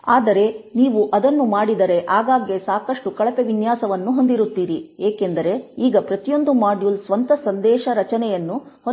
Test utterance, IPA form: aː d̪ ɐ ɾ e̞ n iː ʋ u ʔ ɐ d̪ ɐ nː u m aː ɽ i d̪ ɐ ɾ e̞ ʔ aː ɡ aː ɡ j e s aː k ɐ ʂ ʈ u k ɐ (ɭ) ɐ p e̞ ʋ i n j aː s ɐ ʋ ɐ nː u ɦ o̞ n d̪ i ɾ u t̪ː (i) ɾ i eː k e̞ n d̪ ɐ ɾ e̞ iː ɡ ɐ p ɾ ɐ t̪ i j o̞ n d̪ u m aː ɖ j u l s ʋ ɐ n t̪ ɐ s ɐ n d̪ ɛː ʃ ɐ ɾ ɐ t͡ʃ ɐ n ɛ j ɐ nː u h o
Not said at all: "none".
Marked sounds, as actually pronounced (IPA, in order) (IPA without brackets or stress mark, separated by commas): ɭ, iː